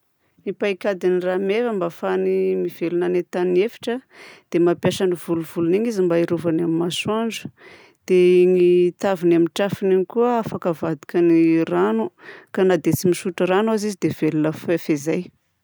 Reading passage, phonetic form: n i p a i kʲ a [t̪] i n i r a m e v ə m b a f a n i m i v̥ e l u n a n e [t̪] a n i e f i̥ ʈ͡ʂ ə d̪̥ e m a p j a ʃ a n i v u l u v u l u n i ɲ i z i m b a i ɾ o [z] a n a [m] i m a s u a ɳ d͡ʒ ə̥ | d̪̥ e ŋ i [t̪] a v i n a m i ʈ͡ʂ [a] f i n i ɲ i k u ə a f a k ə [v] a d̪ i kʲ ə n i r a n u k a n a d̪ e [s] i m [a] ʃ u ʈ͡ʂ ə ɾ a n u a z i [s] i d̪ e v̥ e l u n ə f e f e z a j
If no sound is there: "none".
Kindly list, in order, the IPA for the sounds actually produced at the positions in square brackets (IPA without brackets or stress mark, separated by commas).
d̪, t̪, v, m, t̪, a, v, t͡s, i, z